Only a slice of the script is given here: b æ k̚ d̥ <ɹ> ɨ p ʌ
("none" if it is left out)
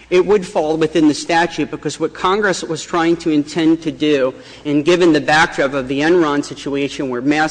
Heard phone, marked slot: ɹ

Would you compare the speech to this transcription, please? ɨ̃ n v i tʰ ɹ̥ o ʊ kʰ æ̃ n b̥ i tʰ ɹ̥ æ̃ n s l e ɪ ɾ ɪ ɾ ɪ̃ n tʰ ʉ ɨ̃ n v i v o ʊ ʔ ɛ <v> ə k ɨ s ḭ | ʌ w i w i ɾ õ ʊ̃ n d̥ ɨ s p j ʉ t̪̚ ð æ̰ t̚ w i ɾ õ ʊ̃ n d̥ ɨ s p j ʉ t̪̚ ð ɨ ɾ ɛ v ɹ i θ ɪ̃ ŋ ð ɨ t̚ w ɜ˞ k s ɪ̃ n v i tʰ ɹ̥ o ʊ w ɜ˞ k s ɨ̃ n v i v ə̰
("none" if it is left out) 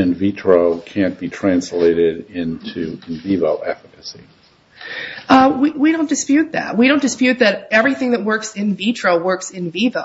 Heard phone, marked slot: f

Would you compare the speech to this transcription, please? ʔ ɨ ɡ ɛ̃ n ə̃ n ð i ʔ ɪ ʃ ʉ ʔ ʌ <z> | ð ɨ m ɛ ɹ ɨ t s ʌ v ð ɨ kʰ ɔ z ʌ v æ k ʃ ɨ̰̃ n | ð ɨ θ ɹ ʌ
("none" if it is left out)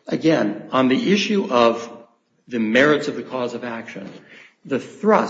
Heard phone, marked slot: v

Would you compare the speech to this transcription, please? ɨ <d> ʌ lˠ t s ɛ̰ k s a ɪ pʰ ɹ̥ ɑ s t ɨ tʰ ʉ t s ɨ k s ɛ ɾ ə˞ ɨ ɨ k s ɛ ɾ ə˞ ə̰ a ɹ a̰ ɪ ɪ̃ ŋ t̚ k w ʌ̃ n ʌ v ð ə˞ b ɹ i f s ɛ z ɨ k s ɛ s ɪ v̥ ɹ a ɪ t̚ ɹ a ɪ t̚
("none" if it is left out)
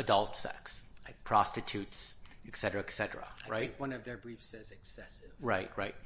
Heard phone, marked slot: d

